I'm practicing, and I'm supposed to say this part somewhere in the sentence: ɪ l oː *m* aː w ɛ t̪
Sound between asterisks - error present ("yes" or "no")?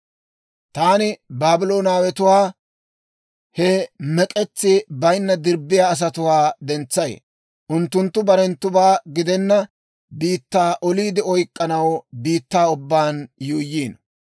yes